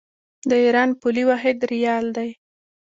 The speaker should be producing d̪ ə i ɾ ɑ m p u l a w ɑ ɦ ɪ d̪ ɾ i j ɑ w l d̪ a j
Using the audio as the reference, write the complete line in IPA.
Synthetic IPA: d̪ ə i ɾ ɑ n p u l i w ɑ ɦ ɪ d̪ ɾ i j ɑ l d̪ a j